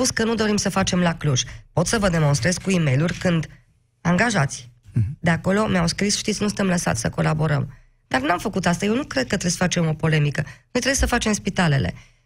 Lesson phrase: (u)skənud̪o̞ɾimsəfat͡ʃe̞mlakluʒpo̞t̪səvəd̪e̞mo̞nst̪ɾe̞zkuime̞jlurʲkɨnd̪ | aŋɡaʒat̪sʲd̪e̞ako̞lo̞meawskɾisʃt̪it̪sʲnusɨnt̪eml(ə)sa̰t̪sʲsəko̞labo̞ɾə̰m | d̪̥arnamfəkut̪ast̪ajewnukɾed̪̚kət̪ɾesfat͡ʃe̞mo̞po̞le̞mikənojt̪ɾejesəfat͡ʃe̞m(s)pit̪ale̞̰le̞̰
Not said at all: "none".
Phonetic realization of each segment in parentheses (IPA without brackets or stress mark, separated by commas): u, ə, s